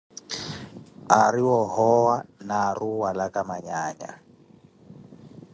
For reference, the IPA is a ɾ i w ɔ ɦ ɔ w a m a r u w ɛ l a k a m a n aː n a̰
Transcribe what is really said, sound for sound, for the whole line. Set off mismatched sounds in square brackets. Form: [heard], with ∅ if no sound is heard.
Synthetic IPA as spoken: a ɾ i w ɔ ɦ ɔ w a [n] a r u w [a] l a k a m a [ɲ] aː [ɲ] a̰

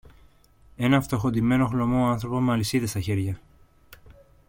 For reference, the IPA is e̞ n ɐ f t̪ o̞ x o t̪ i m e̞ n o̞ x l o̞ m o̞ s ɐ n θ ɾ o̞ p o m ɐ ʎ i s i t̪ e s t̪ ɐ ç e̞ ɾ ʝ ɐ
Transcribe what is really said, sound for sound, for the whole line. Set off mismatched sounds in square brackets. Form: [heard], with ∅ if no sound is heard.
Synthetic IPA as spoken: e̞ n ɐ f t̪ o̞ x o [d̪] i m e̞ n o̞ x l o̞ m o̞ [∅] ɐ n θ ɾ o̞ p o m ɐ [l] i s i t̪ e s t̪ ɐ ç e̞ ɾ ʝ ɐ

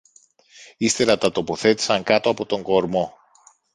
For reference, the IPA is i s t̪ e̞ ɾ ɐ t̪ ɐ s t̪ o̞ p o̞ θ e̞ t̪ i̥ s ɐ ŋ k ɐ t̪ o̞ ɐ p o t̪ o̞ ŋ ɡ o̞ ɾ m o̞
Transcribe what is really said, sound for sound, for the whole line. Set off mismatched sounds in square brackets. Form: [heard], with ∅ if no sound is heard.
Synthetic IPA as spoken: i s t̪ e̞ ɾ ɐ t̪ ɐ [∅] t̪ o̞ p o̞ θ e̞ t̪ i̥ s ɐ ŋ k ɐ t̪ o̞ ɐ p o t̪ o̞ ŋ ɡ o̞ ɾ m o̞

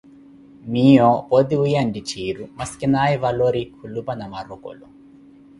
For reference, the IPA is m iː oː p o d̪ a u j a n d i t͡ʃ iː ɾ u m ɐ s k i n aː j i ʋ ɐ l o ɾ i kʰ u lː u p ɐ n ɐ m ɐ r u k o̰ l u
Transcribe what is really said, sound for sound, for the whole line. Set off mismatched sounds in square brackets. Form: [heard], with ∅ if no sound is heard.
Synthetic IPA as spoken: m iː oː p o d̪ [i] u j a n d i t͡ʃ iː ɾ u m ɐ s k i n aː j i ʋ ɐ l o ɾ i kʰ u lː u p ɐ n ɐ m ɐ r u k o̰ l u

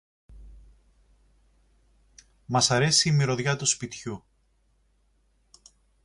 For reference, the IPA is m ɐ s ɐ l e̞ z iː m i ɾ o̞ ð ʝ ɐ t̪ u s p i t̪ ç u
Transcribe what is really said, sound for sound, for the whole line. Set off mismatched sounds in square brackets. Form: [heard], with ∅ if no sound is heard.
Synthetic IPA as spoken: m ɐ s ɐ [ɾ] e̞ [s] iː m i ɾ o̞ ð ʝ ɐ t̪ u s p i t̪ ç u

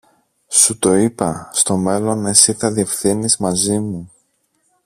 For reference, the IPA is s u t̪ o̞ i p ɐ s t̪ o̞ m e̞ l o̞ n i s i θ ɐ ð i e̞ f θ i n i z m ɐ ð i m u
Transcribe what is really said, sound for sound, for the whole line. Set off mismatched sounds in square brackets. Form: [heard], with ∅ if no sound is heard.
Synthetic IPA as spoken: s u t̪ o̞ i p ɐ s t̪ o̞ m e̞ l o̞ n [e] s i θ ɐ ð i e̞ f θ i n i z m ɐ [z] i m u

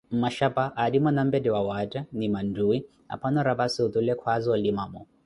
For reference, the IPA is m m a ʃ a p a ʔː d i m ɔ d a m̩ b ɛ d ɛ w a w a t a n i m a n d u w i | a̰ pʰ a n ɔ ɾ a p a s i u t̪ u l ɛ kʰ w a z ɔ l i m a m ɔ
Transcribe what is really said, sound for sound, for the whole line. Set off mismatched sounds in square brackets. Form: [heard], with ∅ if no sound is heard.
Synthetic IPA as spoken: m m a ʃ a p a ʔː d i m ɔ [n] a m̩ b ɛ d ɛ w a w a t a n i m a n d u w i | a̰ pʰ a n ɔ ɾ a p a s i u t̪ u l ɛ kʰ w a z ɔ l i m a m ɔ

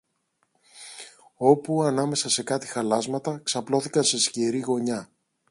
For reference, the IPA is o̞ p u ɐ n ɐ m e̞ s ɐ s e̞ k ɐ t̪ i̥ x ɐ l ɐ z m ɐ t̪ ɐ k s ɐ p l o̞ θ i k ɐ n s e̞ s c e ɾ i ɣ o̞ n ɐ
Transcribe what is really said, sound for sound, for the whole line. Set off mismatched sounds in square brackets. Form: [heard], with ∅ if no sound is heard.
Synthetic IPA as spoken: o̞ p u ɐ n ɐ m e̞ s ɐ s e̞ k ɐ t̪ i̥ x ɐ l ɐ z m ɐ t̪ ɐ k s ɐ p l o̞ θ i k ɐ n s e̞ s c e ɾ i ɣ o̞ [ɲ] ɐ

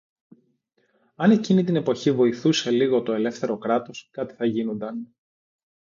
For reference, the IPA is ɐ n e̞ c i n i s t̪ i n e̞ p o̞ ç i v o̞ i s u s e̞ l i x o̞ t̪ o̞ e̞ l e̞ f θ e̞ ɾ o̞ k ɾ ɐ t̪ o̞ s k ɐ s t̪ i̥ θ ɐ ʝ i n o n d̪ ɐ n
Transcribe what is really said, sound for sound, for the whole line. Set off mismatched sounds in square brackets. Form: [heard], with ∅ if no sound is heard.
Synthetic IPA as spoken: ɐ n e̞ c i n i [∅] t̪ i n e̞ p o̞ ç i v o̞ i [θ] u s e̞ l i [ɣ] o̞ t̪ o̞ e̞ l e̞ f θ e̞ ɾ o̞ k ɾ ɐ t̪ o̞ s k ɐ [∅] t̪ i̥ θ ɐ ʝ i n o n d̪ ɐ n

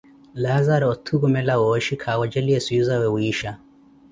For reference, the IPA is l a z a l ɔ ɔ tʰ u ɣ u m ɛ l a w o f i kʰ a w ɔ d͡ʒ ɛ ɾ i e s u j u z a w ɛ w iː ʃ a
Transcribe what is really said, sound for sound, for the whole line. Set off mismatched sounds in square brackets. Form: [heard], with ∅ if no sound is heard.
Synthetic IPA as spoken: l a z a [ɾ] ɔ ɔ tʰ u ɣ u m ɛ l a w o [ʃ] i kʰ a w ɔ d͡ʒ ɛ [l] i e s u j u z a w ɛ w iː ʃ a

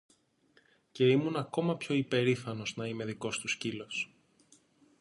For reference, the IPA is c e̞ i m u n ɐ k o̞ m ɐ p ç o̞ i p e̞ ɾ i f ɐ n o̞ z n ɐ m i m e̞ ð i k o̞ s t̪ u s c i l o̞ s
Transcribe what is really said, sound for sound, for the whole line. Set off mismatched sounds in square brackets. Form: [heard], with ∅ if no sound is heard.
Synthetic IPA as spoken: c e̞ i m u n ɐ k o̞ m ɐ p ç o̞ i p e̞ ɾ i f ɐ n o̞ z n ɐ [∅] i m e̞ ð i k o̞ s t̪ u s c i l o̞ s

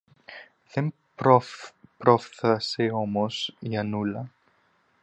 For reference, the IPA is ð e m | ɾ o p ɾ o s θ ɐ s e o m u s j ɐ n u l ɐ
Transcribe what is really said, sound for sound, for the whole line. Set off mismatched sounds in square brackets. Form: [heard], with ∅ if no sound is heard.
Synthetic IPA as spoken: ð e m | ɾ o p ɾ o [f] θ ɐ s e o m [o] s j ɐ n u l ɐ

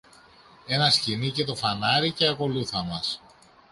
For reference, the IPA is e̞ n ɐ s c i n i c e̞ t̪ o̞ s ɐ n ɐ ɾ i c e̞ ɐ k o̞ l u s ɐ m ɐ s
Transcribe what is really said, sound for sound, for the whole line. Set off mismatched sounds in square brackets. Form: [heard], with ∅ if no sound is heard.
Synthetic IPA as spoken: e̞ n ɐ s c i n i c e̞ t̪ o̞ [f] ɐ n ɐ ɾ i c e̞ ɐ k o̞ l u [θ] ɐ m ɐ s

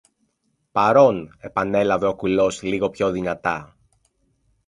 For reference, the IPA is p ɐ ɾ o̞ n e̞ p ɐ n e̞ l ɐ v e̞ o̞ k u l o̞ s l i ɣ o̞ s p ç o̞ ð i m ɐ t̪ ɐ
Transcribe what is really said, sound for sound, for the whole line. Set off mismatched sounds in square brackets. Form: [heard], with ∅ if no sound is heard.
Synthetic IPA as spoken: p ɐ ɾ o̞ n e̞ p ɐ n e̞ l ɐ v e̞ o̞ k u l o̞ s l i ɣ o̞ [∅] p ç o̞ ð i [n] ɐ t̪ ɐ

